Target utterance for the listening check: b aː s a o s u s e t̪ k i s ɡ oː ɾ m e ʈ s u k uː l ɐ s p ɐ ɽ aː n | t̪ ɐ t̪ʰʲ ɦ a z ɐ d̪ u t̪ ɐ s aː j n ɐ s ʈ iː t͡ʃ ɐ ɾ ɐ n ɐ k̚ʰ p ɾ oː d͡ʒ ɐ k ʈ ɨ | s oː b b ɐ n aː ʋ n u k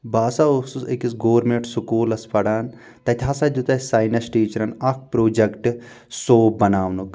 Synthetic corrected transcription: b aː s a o s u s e k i s ɡ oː ɾ m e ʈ s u k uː l ɐ s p ɐ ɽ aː n | t̪ ɐ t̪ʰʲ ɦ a s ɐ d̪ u t̪ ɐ s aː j n ɐ s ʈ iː t͡ʃ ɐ ɾ ɐ n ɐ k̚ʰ p ɾ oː d͡ʒ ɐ k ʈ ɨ | s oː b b ɐ n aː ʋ n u k